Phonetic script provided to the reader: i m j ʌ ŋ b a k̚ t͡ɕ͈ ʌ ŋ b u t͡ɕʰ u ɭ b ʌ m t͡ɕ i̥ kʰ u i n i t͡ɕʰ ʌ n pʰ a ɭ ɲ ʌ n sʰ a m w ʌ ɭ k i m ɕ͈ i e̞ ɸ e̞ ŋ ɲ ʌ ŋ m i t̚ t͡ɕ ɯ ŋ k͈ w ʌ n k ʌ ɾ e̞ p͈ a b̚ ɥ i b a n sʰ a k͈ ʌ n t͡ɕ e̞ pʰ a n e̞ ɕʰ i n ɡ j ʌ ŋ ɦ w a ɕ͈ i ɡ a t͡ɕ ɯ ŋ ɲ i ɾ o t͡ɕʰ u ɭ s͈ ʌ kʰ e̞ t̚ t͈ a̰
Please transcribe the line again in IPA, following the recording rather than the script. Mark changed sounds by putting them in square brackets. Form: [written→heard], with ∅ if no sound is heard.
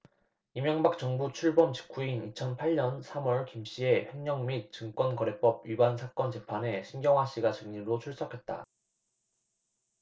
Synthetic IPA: i m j ʌ ŋ b a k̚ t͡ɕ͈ ʌ ŋ b u t͡ɕʰ u ɭ b ʌ m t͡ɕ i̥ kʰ u i n i t͡ɕʰ ʌ n pʰ a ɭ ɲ ʌ n sʰ a m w ʌ ɭ k i m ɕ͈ i e̞ ɸ e̞ ŋ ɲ ʌ ŋ m i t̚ t͡ɕ ɯ ŋ k͈ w ʌ n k ʌ ɾ e̞ p͈ [a→ʌ] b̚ ɥ i b a n sʰ a k͈ ʌ n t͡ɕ e̞ pʰ a n e̞ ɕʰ i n ɡ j ʌ ŋ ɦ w a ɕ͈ i ɡ a t͡ɕ ɯ ŋ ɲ i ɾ o t͡ɕʰ u ɭ s͈ ʌ kʰ e̞ t̚ t͈ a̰